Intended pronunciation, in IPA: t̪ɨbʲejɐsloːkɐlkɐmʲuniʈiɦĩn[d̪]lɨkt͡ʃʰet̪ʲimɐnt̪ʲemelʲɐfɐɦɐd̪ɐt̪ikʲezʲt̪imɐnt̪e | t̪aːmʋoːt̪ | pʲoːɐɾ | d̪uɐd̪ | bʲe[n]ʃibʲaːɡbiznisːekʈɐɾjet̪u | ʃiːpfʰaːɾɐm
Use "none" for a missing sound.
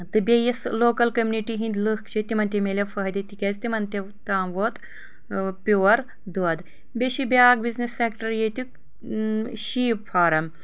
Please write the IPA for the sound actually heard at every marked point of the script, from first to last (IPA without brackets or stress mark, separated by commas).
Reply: d̪, none